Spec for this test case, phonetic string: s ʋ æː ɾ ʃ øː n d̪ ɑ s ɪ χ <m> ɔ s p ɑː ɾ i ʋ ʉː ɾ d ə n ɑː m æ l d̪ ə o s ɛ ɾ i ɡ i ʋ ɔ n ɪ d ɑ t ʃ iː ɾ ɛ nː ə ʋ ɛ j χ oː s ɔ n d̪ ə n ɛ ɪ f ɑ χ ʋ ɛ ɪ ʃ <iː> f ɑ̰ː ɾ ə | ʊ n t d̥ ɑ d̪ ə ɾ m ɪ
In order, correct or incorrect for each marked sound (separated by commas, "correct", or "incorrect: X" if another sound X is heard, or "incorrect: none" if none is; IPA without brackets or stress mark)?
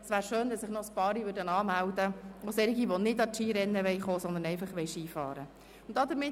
incorrect: n, correct